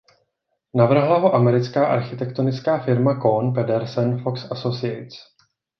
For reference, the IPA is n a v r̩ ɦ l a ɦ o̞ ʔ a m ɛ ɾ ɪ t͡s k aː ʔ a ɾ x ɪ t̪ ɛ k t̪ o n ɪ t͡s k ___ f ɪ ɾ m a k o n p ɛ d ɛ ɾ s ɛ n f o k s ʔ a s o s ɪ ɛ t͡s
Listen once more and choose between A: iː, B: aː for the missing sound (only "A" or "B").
B